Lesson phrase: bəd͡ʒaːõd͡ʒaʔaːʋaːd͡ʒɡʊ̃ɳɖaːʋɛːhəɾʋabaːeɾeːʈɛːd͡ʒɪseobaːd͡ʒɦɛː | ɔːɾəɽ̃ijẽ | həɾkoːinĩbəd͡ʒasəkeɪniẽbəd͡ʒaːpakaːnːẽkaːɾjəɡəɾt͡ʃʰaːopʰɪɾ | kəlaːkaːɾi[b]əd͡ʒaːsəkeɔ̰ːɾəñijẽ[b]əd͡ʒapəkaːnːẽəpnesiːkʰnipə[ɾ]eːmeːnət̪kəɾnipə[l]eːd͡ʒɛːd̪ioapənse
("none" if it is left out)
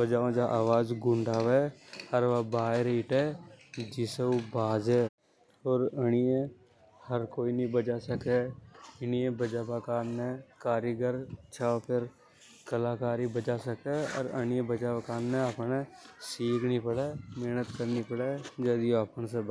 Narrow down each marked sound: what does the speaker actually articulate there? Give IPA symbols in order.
b, b, ɽ, ɽ

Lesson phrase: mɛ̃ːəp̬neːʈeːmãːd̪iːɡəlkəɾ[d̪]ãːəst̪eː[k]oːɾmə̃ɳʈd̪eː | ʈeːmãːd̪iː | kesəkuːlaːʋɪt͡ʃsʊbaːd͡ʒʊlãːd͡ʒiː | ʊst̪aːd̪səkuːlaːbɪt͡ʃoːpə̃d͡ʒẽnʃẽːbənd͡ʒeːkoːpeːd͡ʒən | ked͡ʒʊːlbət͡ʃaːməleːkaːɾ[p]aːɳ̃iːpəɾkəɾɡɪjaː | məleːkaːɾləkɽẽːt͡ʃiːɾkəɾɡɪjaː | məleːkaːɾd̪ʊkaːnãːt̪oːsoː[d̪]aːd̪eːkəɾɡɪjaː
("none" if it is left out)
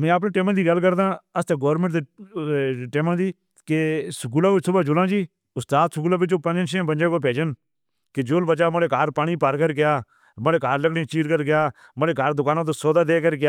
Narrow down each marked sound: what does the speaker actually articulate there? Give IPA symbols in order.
d̪, ɡ, p, d̪

